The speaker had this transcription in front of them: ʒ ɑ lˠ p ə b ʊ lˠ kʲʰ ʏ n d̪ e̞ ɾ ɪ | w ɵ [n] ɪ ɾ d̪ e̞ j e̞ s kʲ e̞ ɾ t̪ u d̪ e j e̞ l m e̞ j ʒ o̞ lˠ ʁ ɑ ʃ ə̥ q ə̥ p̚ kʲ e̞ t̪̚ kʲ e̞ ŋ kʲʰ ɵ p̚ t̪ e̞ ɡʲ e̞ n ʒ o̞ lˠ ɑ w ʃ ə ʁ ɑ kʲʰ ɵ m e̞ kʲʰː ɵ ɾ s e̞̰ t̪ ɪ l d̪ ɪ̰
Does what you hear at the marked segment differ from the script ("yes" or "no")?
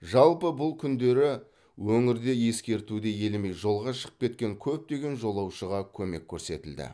yes